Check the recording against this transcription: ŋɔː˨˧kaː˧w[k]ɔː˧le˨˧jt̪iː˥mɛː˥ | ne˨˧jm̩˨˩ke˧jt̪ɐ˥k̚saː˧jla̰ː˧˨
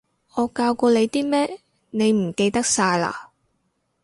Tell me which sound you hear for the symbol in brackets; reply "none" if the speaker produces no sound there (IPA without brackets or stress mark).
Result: k